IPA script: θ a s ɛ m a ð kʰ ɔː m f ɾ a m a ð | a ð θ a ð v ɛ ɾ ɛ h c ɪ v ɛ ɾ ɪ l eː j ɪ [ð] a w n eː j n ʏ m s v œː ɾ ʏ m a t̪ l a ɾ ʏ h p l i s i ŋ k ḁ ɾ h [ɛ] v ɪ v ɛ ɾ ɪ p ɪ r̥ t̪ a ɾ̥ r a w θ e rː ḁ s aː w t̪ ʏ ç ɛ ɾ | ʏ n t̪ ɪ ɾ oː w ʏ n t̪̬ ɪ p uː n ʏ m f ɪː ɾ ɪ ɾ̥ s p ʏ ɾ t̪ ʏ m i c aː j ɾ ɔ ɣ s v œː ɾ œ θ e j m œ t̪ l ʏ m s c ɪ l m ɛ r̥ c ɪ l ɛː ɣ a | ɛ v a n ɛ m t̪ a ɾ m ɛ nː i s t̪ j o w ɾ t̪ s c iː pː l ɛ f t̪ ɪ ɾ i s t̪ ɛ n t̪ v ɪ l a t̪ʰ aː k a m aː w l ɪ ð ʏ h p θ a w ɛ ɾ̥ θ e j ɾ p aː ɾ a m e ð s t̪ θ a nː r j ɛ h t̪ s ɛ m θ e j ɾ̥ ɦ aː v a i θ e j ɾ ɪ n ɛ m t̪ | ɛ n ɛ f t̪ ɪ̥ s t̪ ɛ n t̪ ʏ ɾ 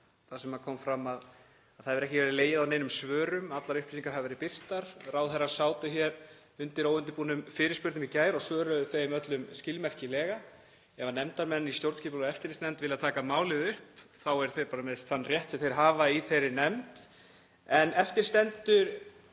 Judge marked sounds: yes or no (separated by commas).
yes, no